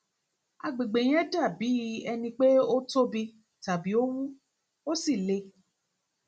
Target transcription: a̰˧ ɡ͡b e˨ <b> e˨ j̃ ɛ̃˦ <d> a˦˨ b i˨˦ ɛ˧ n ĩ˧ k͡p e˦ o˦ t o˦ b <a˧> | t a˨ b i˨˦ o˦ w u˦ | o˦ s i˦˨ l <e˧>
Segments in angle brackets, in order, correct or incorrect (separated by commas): incorrect, correct, incorrect, correct